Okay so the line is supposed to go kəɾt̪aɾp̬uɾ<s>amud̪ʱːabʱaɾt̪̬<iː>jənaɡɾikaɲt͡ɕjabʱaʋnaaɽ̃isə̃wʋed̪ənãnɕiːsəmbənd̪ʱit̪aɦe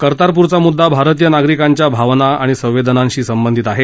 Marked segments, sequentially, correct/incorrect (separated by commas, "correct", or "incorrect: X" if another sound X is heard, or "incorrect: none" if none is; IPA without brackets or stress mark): incorrect: t͡s, incorrect: i